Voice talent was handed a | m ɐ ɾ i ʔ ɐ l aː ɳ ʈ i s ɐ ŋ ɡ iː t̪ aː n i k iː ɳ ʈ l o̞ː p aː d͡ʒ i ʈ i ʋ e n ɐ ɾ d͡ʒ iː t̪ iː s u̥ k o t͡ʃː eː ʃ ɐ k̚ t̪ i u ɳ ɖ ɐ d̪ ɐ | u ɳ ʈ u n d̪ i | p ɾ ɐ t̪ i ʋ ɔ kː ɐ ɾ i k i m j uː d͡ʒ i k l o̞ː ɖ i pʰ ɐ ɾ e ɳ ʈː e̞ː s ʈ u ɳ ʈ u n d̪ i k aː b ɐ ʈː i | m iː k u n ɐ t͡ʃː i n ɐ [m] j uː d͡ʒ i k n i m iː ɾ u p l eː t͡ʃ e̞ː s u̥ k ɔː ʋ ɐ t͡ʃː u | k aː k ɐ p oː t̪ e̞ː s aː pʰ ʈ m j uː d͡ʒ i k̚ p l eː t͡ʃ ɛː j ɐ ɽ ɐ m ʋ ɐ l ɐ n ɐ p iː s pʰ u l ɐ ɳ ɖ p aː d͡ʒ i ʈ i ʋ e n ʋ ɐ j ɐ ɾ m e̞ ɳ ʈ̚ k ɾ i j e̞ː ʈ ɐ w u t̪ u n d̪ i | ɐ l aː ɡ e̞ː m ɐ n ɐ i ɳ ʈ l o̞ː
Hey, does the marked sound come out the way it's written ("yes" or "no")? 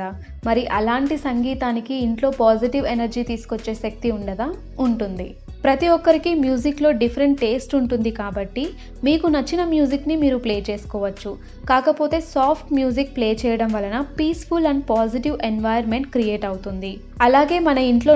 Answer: yes